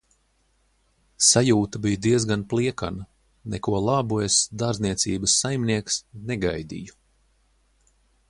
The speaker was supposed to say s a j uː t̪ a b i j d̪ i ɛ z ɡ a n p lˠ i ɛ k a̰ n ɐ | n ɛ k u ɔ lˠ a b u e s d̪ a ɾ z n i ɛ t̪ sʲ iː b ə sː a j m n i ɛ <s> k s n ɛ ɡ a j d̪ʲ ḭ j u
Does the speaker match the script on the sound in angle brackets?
no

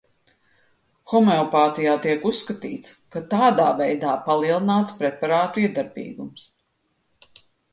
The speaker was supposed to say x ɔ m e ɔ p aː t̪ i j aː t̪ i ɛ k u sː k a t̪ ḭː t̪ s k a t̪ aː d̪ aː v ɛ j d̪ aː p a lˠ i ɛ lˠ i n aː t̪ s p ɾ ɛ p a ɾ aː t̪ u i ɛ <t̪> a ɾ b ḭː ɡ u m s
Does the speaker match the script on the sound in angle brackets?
no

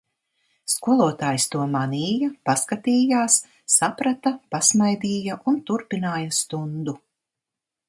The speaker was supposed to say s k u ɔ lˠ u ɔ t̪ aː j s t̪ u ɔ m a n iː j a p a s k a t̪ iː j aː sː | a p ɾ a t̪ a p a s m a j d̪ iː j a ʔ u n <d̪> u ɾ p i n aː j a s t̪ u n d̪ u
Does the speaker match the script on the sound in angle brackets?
no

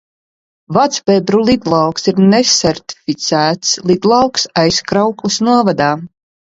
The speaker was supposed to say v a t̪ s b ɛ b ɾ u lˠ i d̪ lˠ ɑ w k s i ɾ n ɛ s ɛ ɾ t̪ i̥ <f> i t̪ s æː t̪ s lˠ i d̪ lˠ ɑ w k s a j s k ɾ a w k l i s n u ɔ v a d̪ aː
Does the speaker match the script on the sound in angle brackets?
yes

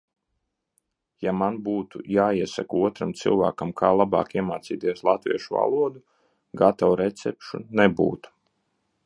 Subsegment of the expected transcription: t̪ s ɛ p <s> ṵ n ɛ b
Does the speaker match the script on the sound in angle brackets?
no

